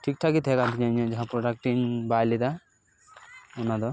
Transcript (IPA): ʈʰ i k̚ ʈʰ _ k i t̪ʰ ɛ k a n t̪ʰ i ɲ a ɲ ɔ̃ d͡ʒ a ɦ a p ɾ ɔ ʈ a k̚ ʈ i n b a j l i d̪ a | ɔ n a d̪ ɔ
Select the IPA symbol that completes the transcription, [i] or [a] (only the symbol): a